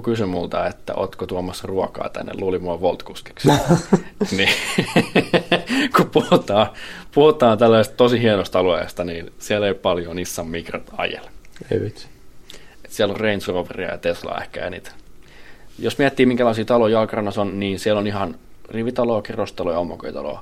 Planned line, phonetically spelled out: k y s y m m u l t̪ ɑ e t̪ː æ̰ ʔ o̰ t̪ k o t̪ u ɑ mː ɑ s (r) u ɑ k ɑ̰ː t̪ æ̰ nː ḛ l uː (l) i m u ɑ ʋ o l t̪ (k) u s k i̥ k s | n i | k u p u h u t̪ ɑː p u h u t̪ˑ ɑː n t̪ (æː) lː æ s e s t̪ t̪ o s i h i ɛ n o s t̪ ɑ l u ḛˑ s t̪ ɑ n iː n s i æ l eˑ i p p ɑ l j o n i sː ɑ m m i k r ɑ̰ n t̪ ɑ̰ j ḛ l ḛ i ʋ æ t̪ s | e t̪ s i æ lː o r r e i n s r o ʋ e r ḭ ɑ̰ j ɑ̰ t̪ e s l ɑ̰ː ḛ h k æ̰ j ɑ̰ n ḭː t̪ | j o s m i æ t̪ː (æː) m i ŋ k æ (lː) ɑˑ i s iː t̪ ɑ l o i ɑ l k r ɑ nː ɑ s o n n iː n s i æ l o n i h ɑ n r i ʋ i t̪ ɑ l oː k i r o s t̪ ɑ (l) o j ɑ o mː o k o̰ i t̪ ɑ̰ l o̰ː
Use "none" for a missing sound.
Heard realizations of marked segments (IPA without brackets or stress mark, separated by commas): r, l, k, æ, iː, l, l